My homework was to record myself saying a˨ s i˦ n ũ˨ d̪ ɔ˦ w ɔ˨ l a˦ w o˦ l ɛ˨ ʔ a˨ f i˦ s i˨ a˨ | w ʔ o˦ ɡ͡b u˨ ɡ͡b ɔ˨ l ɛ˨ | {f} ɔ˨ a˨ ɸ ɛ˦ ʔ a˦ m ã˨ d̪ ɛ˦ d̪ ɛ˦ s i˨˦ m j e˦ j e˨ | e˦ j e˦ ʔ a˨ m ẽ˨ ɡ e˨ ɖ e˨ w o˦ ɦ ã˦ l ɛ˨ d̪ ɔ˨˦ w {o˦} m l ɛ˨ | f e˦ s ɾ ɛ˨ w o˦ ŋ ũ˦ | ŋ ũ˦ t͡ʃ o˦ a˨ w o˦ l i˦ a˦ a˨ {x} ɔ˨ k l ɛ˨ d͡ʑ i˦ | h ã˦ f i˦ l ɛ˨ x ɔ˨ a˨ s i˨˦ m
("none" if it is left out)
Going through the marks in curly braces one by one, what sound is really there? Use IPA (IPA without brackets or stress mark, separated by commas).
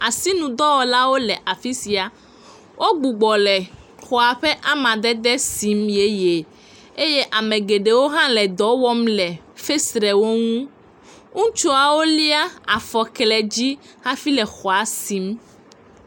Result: x, ɔ˦, f